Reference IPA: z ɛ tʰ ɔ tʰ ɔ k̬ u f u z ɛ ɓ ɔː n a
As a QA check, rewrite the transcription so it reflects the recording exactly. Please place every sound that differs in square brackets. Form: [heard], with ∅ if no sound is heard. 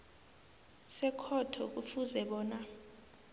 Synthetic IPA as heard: [s] ɛ [kʰ] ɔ tʰ ɔ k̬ u f u z ɛ ɓ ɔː n a

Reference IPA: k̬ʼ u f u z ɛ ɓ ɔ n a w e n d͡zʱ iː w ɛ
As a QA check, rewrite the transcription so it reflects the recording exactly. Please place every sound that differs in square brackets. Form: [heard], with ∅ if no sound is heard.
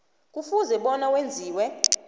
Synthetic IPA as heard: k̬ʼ u f u z ɛ ɓ ɔ n a w e n d͡zʱ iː w ɛ

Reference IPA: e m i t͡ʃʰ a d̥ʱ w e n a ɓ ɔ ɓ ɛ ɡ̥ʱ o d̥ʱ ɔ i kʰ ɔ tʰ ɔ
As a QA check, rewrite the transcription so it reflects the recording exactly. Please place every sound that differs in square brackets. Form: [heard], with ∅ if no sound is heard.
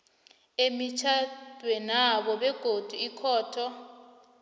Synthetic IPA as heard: e m i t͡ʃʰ a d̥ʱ w [ɛ] n a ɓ ɔ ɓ ɛ ɡ̥ʱ o d̥ʱ [u] i kʰ [ɔː] tʰ ɔ

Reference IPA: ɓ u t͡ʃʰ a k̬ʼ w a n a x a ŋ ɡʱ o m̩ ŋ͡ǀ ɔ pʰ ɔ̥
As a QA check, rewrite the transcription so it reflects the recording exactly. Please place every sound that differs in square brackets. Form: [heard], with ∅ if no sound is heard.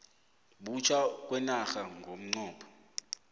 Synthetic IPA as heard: ɓ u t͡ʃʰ a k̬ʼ w [ɛ] n a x a ŋ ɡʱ o m̩ ŋ͡ǀ [ɔː] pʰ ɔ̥

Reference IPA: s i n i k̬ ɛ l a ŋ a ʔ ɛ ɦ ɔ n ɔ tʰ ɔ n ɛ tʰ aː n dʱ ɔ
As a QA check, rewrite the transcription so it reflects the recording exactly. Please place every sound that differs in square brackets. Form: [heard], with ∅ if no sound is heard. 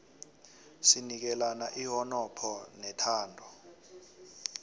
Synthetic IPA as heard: s i n i k̬ ɛ l a [n] a ʔ [i] ɦ ɔ n ɔ [pʰ] ɔ n ɛ tʰ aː n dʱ ɔ

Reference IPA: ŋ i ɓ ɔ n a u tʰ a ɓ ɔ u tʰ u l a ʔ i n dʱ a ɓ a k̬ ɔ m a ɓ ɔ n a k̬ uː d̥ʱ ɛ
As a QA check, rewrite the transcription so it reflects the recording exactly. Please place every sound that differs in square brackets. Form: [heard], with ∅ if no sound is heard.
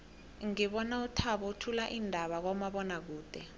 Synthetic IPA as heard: ŋ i ɓ ɔ n a u tʰ a ɓ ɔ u tʰ u l a ʔ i n dʱ a ɓ a k̬ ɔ m a ɓ ɔ n a k̬ uː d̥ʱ ɛ

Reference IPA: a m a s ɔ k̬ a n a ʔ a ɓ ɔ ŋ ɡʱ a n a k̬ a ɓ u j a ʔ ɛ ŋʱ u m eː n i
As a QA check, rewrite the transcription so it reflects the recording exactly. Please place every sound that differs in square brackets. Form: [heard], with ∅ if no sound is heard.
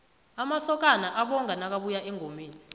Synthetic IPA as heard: a m a s ɔ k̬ a n a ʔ a ɓ ɔ ŋ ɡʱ a n a k̬ a ɓ u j a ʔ ɛ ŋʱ [o] m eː n i

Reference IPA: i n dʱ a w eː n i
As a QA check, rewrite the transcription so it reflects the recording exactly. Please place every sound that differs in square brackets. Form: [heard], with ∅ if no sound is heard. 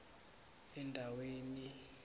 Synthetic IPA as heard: [ɛ] n dʱ a w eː n i

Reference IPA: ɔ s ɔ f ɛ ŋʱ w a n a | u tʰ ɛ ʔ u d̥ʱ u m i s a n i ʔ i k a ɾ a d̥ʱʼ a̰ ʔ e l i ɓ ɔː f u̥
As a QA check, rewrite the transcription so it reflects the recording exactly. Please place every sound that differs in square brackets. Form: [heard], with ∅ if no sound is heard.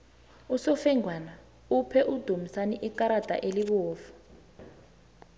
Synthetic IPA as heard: [u] s ɔ f ɛ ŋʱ w a n a | u [pʰ] ɛ ʔ u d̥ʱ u m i s a n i ʔ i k a ɾ a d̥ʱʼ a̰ ʔ e l i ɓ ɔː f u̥

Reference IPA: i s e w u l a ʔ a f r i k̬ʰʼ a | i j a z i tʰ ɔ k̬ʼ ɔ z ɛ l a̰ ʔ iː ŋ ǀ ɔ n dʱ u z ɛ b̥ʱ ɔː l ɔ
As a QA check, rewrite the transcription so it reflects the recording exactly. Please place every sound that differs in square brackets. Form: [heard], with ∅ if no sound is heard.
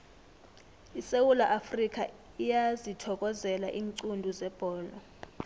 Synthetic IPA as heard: i s e w u l a ʔ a f r i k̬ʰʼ a | i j a z i tʰ ɔ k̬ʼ ɔ z ɛ l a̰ ʔ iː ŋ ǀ [u] n dʱ u z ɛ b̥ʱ ɔː l ɔ

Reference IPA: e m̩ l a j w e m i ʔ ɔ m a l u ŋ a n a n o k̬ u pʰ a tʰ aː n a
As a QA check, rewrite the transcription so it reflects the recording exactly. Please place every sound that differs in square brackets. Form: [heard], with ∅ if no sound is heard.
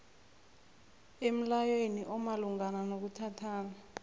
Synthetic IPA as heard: e m̩ l a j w e [n] i ʔ ɔ m a l u ŋ a n a n o k̬ u [tʰ] a tʰ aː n a

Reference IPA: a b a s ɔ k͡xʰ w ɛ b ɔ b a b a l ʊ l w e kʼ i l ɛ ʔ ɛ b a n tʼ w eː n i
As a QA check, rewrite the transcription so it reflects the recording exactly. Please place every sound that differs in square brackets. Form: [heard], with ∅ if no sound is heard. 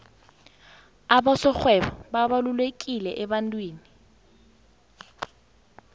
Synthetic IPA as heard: a b a s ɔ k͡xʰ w ɛ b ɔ b a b a l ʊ l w e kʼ i l ɛ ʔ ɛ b a n tʼ w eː n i

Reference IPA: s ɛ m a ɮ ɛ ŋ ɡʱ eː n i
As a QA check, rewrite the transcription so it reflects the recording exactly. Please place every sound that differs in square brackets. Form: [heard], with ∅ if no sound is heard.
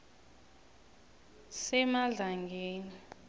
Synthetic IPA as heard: s ɛ m a ɮ [a] ŋ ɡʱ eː n i

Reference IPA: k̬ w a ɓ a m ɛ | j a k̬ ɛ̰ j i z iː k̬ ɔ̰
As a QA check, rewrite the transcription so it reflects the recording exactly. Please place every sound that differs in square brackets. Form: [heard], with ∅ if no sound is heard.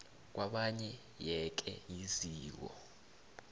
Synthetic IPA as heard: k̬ w a ɓ a [ɲ] ɛ | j [ɛ] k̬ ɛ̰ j i z iː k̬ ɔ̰

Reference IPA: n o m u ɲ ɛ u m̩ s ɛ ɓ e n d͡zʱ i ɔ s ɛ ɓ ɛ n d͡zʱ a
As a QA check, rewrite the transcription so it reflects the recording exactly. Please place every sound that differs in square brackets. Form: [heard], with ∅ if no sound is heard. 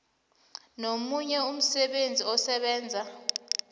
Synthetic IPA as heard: n o m u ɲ ɛ u m̩ s ɛ ɓ e n d͡zʱ i ɔ s ɛ ɓ [ɛː] n d͡zʱ a

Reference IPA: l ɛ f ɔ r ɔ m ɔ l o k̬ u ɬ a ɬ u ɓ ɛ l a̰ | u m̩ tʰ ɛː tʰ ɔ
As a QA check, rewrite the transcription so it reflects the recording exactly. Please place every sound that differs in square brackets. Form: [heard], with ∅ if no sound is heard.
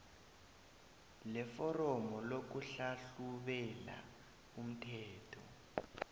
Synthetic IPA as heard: l ɛ f ɔ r ɔ m ɔ l o k̬ u ɬ a ɬ u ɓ ɛ l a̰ | u m̩ tʰ ɛː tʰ ɔ

